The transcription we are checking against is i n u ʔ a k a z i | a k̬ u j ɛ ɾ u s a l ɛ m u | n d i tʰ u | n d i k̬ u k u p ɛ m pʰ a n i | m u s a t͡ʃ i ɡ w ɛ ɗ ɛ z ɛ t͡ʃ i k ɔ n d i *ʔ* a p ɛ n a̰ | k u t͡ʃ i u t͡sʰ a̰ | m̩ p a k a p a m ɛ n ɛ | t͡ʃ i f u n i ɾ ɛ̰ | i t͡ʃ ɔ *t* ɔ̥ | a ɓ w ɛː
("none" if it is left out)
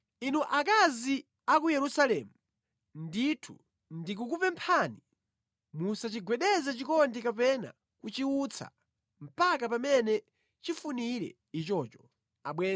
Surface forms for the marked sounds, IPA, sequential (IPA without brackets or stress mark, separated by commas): k, t͡ʃ